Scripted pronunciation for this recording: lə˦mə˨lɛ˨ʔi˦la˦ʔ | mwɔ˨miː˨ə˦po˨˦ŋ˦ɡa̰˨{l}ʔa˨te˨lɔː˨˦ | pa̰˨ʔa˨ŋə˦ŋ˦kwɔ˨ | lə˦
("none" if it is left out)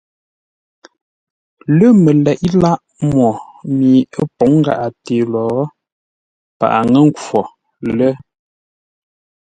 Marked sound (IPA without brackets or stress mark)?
none